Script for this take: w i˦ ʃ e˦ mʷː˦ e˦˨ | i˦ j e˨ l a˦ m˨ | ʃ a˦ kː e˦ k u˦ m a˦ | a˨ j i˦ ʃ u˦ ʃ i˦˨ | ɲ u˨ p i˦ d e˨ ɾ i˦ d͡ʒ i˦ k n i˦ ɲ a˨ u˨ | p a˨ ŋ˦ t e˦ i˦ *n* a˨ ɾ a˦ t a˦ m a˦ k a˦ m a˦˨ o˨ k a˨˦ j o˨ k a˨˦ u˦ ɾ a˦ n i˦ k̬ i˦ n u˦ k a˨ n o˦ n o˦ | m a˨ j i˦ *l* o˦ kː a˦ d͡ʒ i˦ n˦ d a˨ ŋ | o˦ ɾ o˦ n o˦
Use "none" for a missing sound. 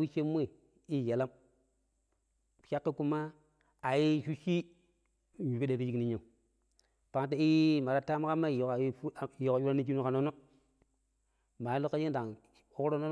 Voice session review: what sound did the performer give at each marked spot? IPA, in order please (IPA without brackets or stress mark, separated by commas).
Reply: m, l